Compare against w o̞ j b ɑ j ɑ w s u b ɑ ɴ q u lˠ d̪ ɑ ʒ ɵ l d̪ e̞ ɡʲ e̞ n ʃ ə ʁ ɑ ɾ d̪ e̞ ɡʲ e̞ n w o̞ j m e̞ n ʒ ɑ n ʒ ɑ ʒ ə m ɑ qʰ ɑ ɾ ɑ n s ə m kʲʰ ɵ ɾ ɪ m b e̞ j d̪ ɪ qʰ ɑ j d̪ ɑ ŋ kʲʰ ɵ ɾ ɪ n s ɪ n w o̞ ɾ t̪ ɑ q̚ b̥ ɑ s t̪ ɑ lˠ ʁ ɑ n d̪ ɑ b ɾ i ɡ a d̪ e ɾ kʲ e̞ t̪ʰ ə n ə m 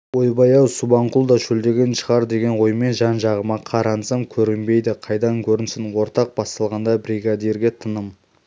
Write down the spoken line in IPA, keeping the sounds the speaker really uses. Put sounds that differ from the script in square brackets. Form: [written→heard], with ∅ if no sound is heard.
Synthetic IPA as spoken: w o̞ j b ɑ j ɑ w s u b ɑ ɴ q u lˠ d̪ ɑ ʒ ɵ l d̪ e̞ ɡʲ e̞ n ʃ ə ʁ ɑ ɾ d̪ e̞ ɡʲ e̞ n w o̞ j m e̞ n ʒ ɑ n ʒ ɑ [ʒ→ʁ] ə m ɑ qʰ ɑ ɾ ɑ n s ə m kʲʰ ɵ ɾ ɪ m b e̞ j d̪ ɪ qʰ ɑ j d̪ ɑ ŋ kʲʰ ɵ ɾ ɪ n s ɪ n w o̞ ɾ t̪ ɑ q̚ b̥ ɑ s t̪ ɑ lˠ ʁ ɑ n d̪ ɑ b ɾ i ɡ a d̪ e ɾ [kʲ→ɡʲ] e̞ t̪ʰ ə n ə m

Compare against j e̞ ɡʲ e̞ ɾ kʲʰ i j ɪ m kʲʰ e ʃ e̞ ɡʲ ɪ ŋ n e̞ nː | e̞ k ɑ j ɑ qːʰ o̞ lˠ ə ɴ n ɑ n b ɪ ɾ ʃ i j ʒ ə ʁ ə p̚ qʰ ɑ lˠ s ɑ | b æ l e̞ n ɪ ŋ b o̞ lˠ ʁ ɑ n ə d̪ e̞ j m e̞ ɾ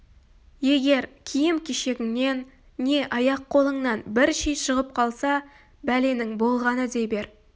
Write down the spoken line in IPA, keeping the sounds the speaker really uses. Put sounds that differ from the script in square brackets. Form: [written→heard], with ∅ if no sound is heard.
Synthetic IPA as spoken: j e̞ ɡʲ e̞ ɾ kʲʰ i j ɪ m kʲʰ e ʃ e̞ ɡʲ ɪ ŋ n e̞ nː | e̞ [k→ʔ] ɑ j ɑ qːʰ o̞ lˠ ə ɴ n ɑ n b ɪ ɾ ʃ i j [ʒ→ʃ] ə ʁ ə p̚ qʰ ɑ lˠ s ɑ | b æ l e̞ n ɪ ŋ b o̞ lˠ ʁ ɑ n ə d̪ e̞ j [m→b] e̞ ɾ

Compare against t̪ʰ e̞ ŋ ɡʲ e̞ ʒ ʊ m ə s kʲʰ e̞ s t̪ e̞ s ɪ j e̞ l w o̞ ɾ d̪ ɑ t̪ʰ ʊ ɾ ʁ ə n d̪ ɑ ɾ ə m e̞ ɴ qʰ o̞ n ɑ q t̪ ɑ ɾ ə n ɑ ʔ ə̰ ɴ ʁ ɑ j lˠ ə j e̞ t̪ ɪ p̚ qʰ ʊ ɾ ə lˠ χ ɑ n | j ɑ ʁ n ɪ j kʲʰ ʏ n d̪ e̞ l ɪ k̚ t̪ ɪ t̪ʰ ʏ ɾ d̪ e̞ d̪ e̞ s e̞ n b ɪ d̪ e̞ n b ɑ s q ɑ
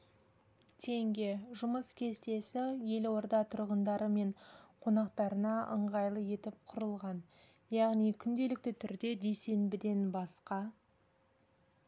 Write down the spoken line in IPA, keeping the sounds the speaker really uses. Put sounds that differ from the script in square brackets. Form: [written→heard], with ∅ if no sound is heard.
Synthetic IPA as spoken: t̪ʰ e̞ ŋ ɡʲ e̞ ʒ ʊ m ə s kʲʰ e̞ s t̪ e̞ s ɪ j e̞ l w o̞ ɾ d̪ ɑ t̪ʰ ʊ ɾ ʁ ə n d̪ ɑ ɾ ə m e̞ ɴ qʰ o̞ n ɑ q t̪ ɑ ɾ ə n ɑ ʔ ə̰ ɴ ʁ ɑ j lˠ ə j e̞ t̪ ɪ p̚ qʰ ʊ ɾ ə lˠ [χ→ʁ] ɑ n | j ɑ ʁ n [ɪ→i] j kʲʰ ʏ n d̪ e̞ l ɪ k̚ t̪ ɪ t̪ʰ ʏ ɾ d̪ e̞ d̪ e̞ s e̞ n b ɪ d̪ e̞ n b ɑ s q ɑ

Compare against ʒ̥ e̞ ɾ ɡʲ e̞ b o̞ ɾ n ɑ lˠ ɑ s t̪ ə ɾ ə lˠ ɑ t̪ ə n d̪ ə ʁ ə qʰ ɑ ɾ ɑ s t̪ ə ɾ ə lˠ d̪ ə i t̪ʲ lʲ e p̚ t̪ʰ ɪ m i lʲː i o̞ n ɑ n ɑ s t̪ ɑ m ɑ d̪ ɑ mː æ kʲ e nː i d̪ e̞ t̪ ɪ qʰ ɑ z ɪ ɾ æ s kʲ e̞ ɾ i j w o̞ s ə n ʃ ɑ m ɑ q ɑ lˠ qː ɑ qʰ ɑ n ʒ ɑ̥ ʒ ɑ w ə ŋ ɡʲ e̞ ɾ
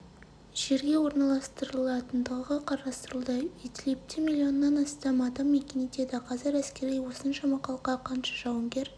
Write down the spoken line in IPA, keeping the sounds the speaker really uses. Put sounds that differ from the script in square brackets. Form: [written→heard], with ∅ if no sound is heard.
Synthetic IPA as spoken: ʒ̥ e̞ ɾ ɡʲ e̞ [b→w] o̞ ɾ n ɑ lˠ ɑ s t̪ ə ɾ ə lˠ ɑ t̪ ə n d̪ ə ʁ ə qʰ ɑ ɾ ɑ s t̪ ə ɾ ə lˠ d̪ ə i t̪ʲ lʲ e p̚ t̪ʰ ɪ m i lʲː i o̞ [n→nː] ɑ n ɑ s t̪ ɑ m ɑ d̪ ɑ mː [æ→e] kʲ e [nː→n] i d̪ e̞ [t̪→d̪] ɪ qʰ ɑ z ɪ ɾ æ s kʲ e̞ ɾ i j w o̞ s ə n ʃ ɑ m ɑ q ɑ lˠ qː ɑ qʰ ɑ n [ʒ→ʃ] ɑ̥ ʒ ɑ w ə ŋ ɡʲ e̞ ɾ

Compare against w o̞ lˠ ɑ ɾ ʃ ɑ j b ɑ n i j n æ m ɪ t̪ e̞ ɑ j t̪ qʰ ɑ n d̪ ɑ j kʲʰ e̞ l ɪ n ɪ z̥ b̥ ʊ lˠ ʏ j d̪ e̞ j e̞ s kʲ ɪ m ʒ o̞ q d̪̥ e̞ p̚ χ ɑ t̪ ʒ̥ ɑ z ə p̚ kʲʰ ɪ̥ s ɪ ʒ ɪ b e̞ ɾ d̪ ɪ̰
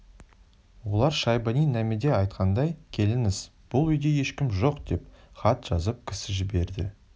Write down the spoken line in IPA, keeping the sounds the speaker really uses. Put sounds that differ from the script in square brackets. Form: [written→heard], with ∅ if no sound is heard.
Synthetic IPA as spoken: w o̞ lˠ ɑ ɾ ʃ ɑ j b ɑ n i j n æ m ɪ [t̪→d̪] e̞ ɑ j t̪ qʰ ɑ n d̪ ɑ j kʲʰ e̞ l ɪ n ɪ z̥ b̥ ʊ lˠ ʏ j d̪ e̞ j e̞ [s→ʃ] kʲ ɪ m ʒ o̞ q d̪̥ e̞ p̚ χ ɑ t̪ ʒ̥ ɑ z ə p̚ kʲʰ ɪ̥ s ɪ ʒ ɪ b e̞ ɾ d̪ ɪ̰

